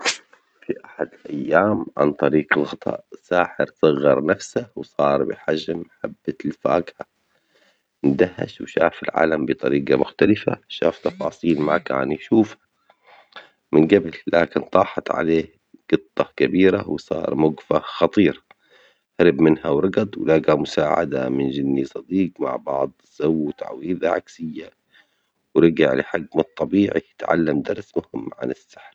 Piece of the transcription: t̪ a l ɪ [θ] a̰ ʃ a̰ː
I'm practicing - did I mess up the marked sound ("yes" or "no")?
yes